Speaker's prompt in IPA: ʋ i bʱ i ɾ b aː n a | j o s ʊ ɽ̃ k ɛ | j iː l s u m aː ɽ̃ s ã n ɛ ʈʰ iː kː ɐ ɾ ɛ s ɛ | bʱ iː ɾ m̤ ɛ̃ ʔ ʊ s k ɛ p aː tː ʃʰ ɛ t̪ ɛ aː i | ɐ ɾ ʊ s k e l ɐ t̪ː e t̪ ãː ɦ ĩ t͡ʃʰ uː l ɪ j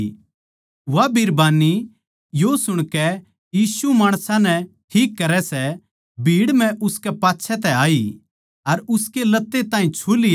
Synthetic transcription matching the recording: ʋ a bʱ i ɾ b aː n i | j o s ʊ ɽ̃ k ɛ | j iː s u m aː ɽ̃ s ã n ɛ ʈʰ iː kː ɐ ɾ ɛ s ɛ | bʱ iː ɽ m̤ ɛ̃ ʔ ʊ s k ɛ p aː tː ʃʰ ɛ t̪ ɛ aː i | ɐ ɾ ʊ s k e l ɐ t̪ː e t̪ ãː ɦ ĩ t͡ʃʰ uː l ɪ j

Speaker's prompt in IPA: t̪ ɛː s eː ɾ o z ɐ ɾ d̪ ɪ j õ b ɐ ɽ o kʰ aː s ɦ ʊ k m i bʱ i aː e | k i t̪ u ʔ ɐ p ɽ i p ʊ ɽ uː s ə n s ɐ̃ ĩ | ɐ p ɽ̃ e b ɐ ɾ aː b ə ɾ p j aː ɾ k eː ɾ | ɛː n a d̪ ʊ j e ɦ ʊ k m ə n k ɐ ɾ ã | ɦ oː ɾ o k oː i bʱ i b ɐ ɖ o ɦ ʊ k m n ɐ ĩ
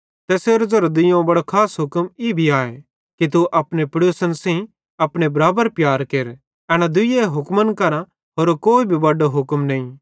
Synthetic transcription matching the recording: t̪ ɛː s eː ɾ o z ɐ ɾ d̪ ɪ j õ b ɐ ɽ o kʰ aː s ɦ ʊ k m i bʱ i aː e | k i t̪ u ʔ ɐ p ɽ e p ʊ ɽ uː s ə n s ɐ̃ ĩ | ɐ p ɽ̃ e b ɐ ɾ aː b ə ɾ p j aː ɾ k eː ɾ | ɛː n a d̪ ʊ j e ɦ ʊ k m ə n k ɐ ɾ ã | ɦ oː ɾ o k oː i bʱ i b ɐ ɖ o ɦ ʊ k m n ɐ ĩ

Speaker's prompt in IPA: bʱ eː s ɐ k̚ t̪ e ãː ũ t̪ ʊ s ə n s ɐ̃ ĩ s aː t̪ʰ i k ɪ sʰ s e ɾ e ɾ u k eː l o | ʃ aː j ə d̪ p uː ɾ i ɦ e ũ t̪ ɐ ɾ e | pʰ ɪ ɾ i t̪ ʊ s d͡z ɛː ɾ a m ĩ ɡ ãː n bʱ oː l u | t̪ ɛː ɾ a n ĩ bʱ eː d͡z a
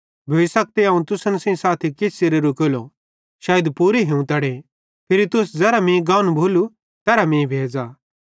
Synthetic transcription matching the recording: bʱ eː s ɐ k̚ t̪ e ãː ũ t̪ ʊ s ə n s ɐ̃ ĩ s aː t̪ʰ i k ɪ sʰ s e ɾ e ɾ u k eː l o | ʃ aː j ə d̪ p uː ɾ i ɦ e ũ t̪ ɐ ɽ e | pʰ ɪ ɾ i t̪ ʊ s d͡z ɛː ɾ a m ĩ ɡ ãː n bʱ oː l u | t̪ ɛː ɾ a m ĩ bʱ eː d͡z a

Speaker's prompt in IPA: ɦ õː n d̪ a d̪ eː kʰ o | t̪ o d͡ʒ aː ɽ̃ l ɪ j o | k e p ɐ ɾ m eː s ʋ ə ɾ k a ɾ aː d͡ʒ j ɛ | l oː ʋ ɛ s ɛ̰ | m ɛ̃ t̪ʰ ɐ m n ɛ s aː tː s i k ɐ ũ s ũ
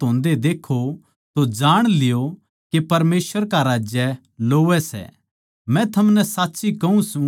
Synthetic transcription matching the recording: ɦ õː n d̪ e d̪ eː kʰ o | t̪ o d͡ʒ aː ɽ̃ l ɪ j o | k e p ɐ ɾ m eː s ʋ ə ɾ k a ɾ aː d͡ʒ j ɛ | l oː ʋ ɛ s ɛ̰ | m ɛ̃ t̪ʰ ɐ m n ɛ s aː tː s i k ɐ ũ s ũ

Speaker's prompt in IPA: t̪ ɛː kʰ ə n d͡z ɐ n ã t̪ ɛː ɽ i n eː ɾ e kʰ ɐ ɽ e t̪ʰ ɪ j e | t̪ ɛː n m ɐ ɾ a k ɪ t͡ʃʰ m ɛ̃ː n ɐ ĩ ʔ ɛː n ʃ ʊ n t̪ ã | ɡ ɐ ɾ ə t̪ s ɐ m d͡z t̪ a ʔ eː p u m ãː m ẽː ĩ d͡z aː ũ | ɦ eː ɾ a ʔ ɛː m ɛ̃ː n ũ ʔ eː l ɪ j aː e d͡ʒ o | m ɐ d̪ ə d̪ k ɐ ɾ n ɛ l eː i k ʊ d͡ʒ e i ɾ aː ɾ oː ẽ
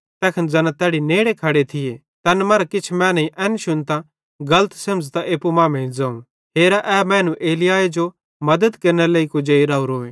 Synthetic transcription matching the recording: t̪ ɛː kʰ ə n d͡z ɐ n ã t̪ ɛː ɽ i n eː ɽ e kʰ ɐ ɽ e t̪ʰ ɪ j e | t̪ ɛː n m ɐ ɾ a k ɪ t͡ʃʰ m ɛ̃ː n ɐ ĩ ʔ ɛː n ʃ ʊ n t̪ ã | ɡ ɐ l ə t̪ s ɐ m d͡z t̪ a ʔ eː p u m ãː m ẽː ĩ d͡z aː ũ | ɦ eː ɾ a ʔ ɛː m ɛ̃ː n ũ ʔ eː l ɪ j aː e d͡ʒ o | m ɐ d̪ ə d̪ k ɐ ɾ n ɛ l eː i k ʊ d͡ʒ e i ɾ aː ɾ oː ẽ

